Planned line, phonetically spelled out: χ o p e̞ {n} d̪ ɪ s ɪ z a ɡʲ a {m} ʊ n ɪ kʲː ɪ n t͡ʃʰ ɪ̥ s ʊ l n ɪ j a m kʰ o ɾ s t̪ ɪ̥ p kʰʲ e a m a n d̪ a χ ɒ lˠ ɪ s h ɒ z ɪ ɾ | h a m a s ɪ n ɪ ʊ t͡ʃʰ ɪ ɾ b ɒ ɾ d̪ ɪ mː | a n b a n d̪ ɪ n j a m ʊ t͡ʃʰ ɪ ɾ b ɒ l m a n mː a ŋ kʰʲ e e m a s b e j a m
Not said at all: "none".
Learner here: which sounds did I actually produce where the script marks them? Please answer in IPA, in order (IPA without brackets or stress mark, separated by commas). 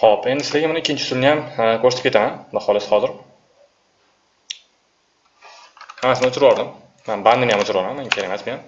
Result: n, m